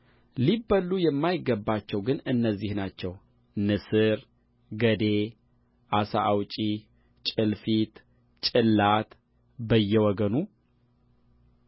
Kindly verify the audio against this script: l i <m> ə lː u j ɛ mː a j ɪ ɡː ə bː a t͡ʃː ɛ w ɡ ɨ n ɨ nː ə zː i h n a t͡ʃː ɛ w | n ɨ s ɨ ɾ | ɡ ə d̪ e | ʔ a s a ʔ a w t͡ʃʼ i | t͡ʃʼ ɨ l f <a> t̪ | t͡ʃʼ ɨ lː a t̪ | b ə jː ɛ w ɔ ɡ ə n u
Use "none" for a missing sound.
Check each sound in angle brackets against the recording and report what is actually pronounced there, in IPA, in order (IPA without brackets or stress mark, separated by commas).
b, i